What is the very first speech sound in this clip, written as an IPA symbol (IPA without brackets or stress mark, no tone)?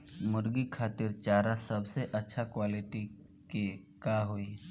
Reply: m